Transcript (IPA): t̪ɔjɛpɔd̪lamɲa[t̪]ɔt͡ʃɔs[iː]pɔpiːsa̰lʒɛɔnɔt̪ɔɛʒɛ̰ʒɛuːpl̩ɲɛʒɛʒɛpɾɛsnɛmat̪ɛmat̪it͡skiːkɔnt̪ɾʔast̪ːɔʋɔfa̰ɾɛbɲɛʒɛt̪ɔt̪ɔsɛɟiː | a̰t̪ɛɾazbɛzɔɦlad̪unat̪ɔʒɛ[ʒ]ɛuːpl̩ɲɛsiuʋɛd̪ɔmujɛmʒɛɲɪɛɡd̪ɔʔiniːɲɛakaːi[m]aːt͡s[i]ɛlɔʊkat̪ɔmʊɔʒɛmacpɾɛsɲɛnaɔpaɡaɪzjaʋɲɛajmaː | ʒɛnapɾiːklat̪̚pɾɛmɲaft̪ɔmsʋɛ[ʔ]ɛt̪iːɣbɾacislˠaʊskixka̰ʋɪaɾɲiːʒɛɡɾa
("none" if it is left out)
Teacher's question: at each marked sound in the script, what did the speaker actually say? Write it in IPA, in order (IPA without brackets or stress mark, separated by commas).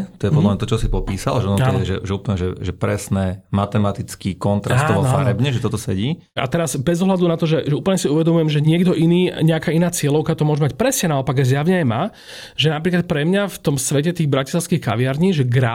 t̪, i, ʒ, n, ɪ, c